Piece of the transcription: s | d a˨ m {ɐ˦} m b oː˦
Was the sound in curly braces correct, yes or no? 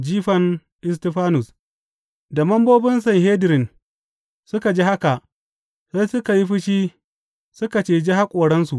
yes